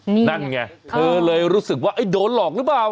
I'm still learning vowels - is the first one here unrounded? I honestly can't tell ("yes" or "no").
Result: yes